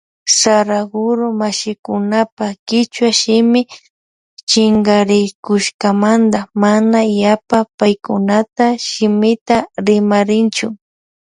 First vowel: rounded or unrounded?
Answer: unrounded